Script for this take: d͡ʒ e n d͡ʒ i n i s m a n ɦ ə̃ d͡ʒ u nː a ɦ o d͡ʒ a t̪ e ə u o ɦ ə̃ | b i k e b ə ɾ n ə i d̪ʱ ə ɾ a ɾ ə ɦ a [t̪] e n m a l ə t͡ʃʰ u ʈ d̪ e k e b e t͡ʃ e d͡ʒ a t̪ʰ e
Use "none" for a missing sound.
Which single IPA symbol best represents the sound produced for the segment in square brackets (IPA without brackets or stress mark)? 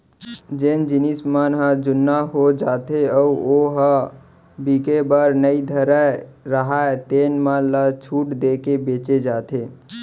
t̪